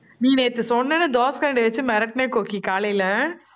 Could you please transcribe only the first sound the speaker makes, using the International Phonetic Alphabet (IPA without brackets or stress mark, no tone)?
n